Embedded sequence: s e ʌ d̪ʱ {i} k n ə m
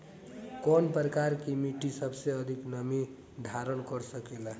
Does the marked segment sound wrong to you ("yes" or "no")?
no